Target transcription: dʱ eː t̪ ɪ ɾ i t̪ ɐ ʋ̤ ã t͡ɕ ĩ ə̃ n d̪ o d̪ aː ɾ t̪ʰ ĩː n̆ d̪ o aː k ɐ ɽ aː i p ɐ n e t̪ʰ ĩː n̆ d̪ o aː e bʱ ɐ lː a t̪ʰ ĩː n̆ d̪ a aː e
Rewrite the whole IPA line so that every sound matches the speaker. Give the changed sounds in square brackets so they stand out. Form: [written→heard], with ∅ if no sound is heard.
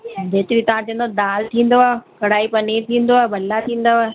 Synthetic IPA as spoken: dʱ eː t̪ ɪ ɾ i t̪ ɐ ʋ̤ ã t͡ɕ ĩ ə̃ n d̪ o d̪ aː [ɾ→l] t̪ʰ ĩː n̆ d̪ o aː k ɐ ɽ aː i p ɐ n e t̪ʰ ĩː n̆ d̪ o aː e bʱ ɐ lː a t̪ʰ ĩː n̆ d̪ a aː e